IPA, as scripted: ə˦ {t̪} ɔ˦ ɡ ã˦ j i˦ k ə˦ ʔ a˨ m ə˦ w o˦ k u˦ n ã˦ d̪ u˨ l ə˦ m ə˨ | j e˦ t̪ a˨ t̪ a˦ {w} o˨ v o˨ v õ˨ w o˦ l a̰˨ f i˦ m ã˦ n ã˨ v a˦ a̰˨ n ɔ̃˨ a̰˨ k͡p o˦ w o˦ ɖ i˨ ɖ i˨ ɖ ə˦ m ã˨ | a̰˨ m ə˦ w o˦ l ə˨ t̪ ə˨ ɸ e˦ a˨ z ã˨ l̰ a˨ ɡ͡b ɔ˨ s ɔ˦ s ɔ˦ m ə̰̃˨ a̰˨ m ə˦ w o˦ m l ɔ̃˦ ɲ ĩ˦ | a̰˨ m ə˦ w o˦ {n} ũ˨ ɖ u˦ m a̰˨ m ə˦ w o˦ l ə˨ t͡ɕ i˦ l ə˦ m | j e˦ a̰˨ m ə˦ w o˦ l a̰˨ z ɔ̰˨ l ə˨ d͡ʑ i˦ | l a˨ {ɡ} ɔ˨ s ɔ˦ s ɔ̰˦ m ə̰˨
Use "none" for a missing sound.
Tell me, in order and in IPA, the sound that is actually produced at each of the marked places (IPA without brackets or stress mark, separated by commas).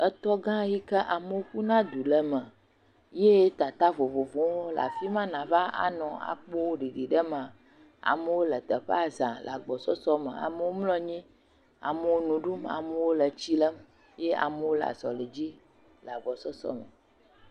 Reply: t̪, v, n, ɡ͡b